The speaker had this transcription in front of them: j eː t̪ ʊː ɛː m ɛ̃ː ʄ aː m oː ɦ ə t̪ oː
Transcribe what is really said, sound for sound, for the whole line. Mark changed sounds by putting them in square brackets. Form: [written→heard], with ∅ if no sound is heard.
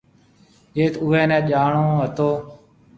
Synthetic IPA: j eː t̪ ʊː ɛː [m→n] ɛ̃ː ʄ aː [m→ɳ] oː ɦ ə t̪ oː